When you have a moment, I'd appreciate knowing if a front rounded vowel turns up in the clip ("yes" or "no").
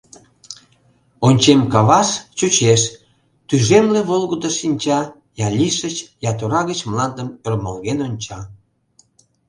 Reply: yes